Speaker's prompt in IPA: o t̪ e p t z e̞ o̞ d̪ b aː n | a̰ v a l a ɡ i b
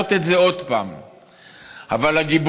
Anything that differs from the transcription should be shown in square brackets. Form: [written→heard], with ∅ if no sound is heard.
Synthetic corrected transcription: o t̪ e [p→∅] t z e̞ o̞ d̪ [b→p] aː [n→m] | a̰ v a l a ɡ i b